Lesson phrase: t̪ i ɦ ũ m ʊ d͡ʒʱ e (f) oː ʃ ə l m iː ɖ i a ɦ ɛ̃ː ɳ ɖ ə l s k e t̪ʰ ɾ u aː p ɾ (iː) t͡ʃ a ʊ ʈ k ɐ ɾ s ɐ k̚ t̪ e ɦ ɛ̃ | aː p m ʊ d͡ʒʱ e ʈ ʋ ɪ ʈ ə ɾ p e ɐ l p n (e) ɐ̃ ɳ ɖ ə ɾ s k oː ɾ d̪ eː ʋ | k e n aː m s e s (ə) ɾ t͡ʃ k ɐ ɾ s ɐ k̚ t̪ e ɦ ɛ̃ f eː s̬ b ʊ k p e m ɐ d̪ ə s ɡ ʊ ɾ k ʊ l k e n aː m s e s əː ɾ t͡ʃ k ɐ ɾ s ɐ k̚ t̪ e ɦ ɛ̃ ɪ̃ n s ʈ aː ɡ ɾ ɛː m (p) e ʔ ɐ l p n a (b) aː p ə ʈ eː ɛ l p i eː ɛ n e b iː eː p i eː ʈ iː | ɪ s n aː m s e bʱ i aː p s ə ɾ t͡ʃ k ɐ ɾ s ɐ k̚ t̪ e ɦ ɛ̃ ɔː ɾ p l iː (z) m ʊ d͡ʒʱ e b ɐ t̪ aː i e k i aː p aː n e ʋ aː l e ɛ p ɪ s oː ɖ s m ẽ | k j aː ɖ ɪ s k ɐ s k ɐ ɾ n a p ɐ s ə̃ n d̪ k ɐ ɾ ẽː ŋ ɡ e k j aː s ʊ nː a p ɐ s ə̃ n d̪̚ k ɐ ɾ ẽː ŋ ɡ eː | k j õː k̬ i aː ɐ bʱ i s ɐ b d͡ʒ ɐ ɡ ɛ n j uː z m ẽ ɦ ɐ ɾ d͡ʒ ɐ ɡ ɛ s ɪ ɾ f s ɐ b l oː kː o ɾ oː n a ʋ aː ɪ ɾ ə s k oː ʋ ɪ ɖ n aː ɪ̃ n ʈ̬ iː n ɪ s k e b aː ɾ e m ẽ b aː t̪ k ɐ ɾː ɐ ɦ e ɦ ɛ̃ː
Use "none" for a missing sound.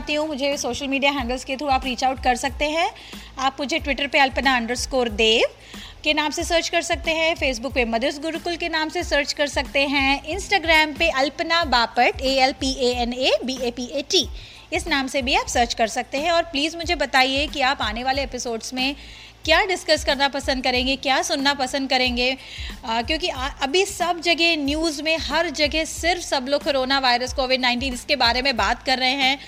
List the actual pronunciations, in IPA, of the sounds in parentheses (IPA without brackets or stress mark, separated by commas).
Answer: s, iː, a, əː, p, b, z